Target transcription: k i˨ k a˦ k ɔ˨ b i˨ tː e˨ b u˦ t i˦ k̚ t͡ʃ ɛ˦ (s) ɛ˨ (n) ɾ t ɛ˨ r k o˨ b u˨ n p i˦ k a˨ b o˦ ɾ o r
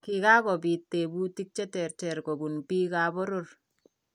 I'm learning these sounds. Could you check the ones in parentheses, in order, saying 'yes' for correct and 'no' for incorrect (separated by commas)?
no, no